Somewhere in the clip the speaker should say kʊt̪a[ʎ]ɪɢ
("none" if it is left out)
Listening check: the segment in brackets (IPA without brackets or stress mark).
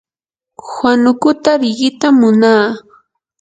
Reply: ɾ